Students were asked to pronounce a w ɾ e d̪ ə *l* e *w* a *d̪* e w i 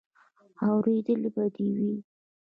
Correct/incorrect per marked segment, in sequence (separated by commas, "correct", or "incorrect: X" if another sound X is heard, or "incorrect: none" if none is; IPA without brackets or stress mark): correct, incorrect: b, correct